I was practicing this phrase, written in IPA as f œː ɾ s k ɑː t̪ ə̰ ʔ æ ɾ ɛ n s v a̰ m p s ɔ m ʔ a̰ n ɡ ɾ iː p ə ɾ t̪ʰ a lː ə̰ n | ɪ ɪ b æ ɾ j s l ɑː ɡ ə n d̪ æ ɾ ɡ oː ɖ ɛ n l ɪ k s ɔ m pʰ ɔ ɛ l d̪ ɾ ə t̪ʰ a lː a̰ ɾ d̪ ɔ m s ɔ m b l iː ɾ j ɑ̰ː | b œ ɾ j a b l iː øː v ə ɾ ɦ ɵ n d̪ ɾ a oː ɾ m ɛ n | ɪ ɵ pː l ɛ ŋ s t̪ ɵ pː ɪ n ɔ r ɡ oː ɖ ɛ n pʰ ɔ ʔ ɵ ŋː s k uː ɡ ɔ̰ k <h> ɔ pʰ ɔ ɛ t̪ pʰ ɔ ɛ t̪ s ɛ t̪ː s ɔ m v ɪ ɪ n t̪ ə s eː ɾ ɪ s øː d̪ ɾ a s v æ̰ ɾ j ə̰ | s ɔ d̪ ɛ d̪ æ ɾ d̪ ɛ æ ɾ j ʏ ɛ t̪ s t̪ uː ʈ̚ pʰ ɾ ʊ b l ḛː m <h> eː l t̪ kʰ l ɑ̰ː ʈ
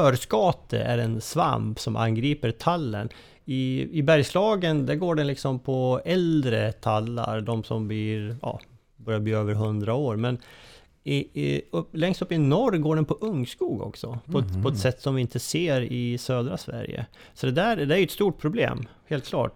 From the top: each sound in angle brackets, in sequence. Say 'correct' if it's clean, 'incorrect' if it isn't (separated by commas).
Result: incorrect, correct